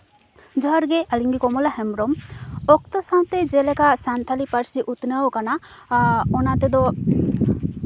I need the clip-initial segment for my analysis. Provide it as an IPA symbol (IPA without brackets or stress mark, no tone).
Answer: d͡ʒ